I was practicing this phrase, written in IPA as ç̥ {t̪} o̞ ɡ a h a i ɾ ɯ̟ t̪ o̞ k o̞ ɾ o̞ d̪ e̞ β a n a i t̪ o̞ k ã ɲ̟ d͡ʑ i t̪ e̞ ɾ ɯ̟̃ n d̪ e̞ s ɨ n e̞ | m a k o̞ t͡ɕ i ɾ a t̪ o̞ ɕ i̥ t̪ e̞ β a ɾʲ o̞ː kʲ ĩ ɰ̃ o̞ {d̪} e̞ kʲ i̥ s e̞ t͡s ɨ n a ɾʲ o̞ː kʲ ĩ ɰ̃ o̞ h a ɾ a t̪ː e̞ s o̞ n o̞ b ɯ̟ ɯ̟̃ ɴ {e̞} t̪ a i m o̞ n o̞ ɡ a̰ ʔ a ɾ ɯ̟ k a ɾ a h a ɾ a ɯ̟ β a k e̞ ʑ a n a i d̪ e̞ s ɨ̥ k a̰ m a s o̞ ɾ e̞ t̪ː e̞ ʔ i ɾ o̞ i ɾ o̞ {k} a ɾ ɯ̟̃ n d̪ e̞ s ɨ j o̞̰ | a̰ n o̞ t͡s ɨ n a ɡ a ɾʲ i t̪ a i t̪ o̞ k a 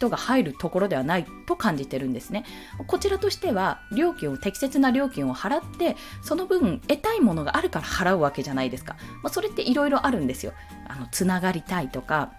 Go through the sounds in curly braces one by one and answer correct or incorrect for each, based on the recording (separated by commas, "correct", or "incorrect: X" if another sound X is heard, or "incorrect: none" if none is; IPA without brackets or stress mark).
correct, incorrect: t̪, correct, incorrect: ʔ